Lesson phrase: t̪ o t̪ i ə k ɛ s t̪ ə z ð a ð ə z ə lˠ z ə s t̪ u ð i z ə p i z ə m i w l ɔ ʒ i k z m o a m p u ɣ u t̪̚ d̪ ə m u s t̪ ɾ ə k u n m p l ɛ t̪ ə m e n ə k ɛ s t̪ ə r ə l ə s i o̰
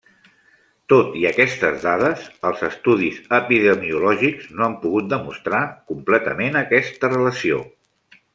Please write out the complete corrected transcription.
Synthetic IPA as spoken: t̪ o t̪ i ə k ɛ s t̪ ə z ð a ð ə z ə lˠ z ə s t̪ u ð i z ə p i ð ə m i u l ɔ ʒ i k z n o a m p u ɣ u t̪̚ d̪ ə m u s t̪ ɾ a k u m p l ɛ t̪ ə m e n ə k ɛ s t̪ ə r ə l ə s i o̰